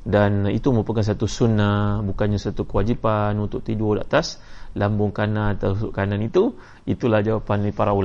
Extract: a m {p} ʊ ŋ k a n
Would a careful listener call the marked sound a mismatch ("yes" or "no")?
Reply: yes